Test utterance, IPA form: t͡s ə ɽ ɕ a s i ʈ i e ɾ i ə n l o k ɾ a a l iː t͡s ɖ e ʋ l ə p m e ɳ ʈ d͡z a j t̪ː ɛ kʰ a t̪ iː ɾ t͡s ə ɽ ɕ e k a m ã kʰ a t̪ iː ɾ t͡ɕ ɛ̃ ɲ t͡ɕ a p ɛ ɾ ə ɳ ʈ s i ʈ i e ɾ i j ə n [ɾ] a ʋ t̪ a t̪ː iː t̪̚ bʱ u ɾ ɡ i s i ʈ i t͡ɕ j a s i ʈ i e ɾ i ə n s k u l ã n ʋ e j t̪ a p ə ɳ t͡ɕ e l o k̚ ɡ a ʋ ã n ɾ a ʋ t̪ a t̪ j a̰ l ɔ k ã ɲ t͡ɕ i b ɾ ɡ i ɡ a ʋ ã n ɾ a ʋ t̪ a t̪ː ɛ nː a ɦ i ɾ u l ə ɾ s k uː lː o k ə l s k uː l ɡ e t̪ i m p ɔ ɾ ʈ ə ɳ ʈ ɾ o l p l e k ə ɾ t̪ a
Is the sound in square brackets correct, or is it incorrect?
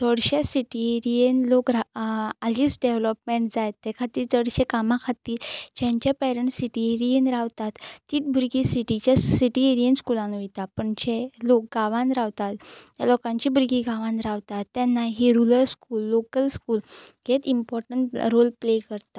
correct